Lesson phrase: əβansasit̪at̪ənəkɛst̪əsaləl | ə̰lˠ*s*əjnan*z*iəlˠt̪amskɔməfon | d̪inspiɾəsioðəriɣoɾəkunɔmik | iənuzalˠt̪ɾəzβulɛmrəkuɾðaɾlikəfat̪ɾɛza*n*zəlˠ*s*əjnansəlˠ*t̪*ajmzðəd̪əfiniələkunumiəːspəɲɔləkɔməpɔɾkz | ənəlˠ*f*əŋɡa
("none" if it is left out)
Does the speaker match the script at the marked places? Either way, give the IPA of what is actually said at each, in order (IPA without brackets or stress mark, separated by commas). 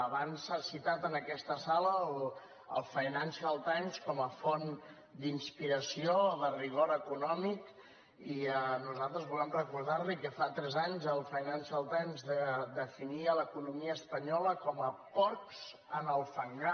f, s, ɲ, f, t̪, f